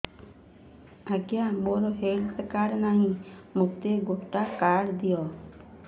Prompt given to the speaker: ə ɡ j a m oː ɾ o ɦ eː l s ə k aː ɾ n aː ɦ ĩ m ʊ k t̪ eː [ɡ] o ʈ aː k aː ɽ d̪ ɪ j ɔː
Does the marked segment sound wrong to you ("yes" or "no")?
no